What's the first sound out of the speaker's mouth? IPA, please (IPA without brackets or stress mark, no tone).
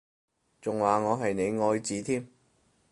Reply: t͡s